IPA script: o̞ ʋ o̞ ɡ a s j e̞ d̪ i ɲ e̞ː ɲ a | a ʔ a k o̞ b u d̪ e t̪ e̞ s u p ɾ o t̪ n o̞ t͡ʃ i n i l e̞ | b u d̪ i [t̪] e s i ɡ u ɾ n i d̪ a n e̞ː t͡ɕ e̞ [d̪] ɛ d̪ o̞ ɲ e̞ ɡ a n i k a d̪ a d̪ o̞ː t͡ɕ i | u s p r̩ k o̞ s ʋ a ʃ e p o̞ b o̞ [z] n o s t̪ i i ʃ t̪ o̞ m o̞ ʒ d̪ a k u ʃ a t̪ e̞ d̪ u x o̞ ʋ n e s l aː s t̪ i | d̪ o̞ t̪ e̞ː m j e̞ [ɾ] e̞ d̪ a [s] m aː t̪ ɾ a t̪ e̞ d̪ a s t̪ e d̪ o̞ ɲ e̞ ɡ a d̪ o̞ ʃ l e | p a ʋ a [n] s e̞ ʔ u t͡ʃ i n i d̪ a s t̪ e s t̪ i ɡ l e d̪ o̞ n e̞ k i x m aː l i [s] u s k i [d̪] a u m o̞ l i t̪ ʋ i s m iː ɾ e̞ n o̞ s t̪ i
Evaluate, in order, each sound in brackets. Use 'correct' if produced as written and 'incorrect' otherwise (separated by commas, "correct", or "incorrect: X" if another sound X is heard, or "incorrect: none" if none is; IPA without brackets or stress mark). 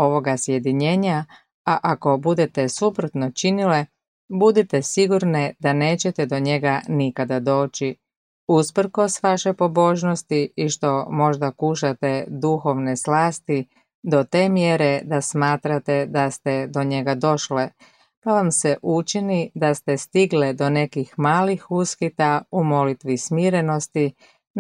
correct, incorrect: t̪, incorrect: ʒ, correct, correct, incorrect: m, incorrect: x, incorrect: t̪